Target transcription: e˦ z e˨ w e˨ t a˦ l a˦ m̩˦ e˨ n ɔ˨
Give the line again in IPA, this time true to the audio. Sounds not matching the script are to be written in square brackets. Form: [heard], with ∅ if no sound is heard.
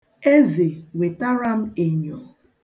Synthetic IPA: e˦ z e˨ w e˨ t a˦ [ɾ] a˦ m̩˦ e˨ [ɲ] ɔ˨